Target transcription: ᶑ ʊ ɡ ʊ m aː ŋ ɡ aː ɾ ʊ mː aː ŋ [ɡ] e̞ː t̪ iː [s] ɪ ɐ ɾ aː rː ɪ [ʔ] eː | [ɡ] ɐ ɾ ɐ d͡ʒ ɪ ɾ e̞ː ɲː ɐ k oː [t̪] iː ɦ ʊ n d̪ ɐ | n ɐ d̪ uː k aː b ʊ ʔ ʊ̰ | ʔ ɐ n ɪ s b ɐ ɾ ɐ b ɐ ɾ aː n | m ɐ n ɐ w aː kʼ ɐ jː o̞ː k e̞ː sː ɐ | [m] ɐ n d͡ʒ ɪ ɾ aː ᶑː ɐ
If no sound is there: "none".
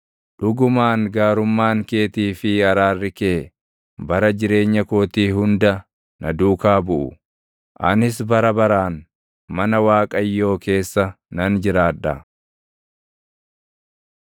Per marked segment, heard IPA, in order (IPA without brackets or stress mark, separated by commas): k, f, k, b, t̪, n